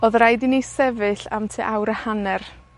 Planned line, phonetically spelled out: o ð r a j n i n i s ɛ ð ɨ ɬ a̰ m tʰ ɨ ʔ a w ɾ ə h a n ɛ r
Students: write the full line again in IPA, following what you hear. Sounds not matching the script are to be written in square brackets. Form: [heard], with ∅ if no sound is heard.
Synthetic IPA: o ð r a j [d] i n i s ɛ [v] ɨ ɬ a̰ m tʰ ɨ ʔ a w ɾ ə h a n ɛ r